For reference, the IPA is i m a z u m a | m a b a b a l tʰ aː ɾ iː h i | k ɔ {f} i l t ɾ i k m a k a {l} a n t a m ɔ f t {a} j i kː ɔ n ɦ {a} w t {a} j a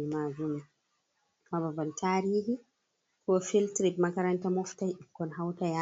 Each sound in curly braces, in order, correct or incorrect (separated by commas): correct, incorrect, correct, correct, correct